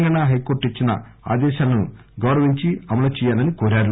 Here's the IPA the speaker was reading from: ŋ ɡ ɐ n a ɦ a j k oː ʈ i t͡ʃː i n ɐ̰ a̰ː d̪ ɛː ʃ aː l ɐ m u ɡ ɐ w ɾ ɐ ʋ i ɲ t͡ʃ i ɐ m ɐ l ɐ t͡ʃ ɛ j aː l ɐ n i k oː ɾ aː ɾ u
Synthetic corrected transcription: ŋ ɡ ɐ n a ɦ ɐ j k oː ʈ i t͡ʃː i n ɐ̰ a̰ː d̪ ɛː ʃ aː l ɐ n u ɡ ɐ w ɾ ɐ ʋ i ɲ t͡ʃ i ɐ m ɐ l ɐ t͡ʃ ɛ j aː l ɐ n i k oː ɾ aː ɾ u